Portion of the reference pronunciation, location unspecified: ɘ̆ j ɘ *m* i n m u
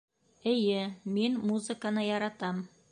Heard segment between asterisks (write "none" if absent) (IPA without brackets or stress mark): m